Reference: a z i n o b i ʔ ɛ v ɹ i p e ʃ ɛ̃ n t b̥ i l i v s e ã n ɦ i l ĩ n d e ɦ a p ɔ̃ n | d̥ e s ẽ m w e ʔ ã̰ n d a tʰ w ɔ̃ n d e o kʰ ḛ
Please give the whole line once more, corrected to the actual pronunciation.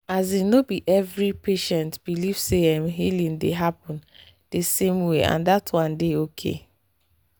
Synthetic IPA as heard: a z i n o b i ʔ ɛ v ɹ i p e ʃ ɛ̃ n t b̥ i l i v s e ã m ɦ i l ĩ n d e ɦ a p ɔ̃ n | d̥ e s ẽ m w e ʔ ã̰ n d a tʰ w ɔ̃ n d e o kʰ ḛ